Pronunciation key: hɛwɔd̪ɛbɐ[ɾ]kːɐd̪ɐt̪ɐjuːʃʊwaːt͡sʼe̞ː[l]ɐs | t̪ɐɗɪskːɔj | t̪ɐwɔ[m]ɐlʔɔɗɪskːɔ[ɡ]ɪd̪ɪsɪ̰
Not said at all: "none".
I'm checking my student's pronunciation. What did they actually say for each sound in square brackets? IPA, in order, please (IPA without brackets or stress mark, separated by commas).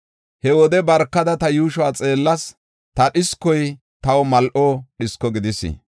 ɾ, lː, m, ɡ